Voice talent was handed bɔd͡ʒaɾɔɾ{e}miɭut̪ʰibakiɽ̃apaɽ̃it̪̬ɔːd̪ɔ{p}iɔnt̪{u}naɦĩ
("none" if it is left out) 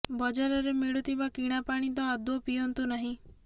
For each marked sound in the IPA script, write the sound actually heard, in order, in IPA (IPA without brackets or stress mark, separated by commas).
e, p, u